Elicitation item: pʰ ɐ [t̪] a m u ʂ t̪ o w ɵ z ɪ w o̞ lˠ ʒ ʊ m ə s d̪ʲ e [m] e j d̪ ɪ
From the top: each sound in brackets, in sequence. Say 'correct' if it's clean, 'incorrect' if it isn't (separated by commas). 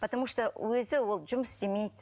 correct, correct